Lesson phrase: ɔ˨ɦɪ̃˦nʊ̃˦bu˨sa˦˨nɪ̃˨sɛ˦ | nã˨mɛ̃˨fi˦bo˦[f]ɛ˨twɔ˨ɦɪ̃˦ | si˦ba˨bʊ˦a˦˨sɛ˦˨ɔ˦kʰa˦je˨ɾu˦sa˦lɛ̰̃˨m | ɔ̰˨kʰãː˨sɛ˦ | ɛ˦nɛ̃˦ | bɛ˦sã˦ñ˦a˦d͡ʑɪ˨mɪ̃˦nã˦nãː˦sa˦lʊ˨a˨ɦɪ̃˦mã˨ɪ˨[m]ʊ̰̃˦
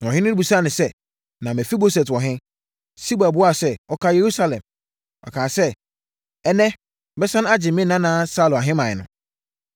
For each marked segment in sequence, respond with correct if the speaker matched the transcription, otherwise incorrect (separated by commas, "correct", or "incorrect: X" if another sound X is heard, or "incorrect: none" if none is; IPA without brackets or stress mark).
incorrect: s, incorrect: n